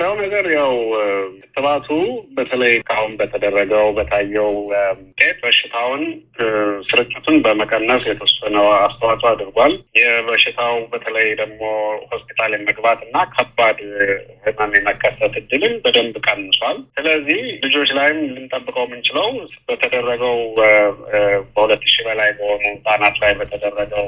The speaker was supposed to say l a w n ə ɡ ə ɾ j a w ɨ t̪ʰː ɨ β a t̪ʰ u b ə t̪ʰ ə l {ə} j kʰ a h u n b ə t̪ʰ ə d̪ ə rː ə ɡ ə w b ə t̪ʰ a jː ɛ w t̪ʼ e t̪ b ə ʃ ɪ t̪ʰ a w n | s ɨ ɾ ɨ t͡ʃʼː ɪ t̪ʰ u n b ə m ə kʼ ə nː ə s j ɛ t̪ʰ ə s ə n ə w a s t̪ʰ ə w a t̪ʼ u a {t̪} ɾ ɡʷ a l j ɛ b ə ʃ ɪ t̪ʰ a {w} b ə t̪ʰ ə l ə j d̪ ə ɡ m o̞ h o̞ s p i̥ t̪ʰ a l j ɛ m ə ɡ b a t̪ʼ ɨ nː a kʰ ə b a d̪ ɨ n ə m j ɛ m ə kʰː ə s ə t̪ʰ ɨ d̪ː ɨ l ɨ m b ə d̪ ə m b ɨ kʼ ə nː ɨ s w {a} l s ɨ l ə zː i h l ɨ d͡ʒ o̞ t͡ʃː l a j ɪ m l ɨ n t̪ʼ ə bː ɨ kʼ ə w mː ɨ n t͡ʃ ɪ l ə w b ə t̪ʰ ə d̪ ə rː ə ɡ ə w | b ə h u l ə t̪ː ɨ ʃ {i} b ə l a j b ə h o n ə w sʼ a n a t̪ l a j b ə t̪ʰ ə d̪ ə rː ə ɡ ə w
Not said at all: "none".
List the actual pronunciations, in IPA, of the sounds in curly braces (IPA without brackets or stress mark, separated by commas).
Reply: ə, d̪, w, a, i